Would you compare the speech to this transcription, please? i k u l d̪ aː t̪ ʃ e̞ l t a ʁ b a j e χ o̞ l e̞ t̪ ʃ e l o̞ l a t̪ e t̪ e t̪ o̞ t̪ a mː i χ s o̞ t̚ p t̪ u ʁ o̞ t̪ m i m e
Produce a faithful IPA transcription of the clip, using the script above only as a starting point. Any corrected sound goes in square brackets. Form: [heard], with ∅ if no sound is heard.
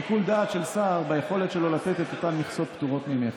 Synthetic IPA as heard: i k u l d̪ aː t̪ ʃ e̞ l [s] a ʁ b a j e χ o̞ l e̞ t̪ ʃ e l o̞ l a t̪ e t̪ e t̪ o̞ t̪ a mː i χ s o̞ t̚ p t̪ u ʁ o̞ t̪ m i m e